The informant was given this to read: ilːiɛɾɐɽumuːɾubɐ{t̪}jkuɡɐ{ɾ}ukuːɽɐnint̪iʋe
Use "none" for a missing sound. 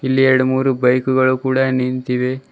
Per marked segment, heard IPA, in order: none, ɭ

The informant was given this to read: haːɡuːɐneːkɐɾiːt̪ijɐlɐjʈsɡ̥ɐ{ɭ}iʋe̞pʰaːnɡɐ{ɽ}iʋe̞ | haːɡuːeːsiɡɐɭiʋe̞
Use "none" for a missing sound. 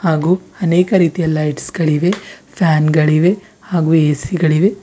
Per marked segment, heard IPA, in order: ɭ, ɭ

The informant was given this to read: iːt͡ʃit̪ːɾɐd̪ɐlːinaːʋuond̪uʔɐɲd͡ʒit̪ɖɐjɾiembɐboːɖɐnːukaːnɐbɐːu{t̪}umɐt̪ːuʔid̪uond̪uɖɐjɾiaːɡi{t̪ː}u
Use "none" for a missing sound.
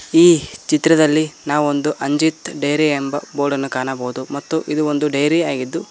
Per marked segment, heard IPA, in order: d̪, d̪ː

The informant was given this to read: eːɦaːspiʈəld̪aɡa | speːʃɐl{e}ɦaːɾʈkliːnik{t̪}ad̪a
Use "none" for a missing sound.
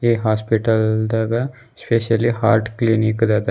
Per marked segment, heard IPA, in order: i, d̪

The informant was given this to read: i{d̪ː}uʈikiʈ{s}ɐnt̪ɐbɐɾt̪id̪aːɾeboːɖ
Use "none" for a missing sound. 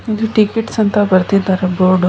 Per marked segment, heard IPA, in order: d̪, s

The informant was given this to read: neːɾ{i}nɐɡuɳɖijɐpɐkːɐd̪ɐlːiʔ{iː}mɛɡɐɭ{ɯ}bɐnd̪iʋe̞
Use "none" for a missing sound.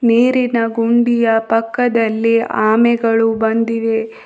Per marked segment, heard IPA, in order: i, aː, u

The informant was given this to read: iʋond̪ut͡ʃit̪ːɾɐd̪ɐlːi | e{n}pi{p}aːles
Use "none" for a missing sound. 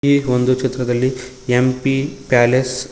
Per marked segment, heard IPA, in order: m, p

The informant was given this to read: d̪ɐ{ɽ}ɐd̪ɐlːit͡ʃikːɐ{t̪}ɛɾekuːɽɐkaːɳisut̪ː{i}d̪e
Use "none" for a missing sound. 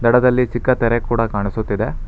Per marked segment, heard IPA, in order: ɽ, t̪, i

